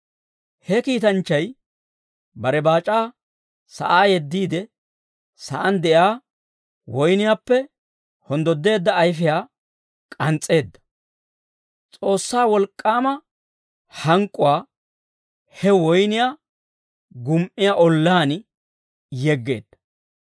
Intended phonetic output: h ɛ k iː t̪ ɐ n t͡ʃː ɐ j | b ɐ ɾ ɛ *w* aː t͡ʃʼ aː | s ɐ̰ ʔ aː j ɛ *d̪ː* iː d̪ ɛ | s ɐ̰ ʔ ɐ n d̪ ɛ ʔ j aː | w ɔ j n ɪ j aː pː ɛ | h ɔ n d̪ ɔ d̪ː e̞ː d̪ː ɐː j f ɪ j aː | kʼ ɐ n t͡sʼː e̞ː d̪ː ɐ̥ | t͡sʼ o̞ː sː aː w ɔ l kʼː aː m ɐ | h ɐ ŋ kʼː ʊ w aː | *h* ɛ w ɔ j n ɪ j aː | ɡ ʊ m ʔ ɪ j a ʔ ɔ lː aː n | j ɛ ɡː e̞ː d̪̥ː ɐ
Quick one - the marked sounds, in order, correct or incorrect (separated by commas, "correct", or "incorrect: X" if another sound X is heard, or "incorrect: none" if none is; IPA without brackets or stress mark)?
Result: incorrect: b, correct, correct